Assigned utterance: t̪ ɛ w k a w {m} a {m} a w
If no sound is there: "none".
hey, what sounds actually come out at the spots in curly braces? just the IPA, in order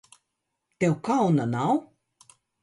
n, n

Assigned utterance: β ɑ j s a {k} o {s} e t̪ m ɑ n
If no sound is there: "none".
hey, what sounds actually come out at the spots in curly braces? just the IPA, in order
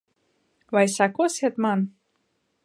k, s

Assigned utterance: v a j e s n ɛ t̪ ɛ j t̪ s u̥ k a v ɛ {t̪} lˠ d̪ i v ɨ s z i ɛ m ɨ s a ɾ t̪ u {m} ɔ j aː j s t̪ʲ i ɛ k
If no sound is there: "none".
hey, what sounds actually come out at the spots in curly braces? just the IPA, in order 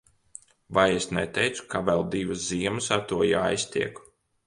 none, none

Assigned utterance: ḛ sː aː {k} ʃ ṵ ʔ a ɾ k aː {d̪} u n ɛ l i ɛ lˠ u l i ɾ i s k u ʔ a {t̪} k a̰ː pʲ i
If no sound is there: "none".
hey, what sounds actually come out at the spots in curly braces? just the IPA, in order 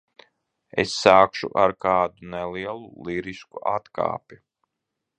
k, d̪, t̪

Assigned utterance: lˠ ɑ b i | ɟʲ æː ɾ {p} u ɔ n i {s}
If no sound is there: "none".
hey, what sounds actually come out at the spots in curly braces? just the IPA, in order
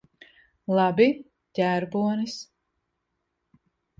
b, s

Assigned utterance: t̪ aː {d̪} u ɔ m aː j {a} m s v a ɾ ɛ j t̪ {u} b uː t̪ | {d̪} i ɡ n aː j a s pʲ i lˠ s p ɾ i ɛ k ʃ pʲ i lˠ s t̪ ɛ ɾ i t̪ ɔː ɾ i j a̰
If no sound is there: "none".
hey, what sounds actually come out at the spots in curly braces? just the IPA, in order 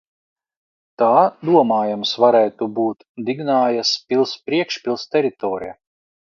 d̪, a, u, d̪

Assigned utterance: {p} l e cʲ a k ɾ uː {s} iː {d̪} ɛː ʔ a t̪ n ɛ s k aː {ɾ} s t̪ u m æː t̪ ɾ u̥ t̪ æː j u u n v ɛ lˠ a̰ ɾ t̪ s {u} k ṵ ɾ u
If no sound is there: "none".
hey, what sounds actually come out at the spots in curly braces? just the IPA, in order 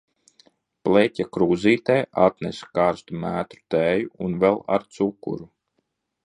p, z, t̪, ɾ, u

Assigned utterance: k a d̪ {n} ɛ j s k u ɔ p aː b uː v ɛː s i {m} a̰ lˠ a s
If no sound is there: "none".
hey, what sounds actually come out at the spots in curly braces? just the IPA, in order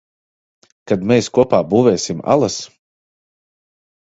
m, m

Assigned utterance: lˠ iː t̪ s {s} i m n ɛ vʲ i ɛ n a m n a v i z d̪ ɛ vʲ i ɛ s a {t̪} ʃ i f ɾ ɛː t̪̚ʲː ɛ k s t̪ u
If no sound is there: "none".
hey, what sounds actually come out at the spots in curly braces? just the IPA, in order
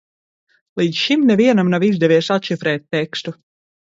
ʃ, t̪

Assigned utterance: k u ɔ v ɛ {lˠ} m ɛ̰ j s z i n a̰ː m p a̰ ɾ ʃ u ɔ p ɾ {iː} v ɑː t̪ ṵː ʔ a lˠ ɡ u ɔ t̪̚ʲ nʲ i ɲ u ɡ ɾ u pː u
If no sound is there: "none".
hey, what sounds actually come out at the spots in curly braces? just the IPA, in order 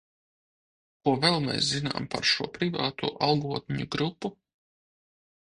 lˠ, i

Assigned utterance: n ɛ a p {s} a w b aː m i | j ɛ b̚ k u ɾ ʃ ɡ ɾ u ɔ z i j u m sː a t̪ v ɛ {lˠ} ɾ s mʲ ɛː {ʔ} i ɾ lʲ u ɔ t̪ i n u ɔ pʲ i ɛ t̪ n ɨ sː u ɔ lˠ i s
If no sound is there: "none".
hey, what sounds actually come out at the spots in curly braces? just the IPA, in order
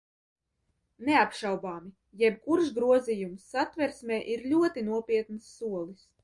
ʃ, none, ʔ

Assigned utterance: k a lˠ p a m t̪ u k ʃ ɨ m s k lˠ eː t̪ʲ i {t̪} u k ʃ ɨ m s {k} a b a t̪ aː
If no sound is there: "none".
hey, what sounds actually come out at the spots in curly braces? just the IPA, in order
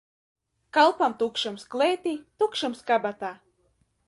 t̪, k

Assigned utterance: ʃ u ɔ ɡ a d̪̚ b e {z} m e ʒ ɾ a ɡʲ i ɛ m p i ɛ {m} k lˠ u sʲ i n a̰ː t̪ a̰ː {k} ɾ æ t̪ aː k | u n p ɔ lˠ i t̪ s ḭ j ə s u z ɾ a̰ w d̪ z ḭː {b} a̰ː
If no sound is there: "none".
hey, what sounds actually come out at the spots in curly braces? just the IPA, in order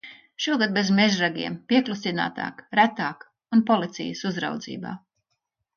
z, none, k, b

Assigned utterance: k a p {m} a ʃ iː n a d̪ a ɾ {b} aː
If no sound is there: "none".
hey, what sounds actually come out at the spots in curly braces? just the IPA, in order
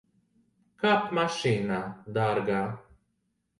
m, ɡ

